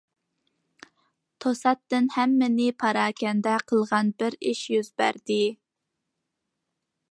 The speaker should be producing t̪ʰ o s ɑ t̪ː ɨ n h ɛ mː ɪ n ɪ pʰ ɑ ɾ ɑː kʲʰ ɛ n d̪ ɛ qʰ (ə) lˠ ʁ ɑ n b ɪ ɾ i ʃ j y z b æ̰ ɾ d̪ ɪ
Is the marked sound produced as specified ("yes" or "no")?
yes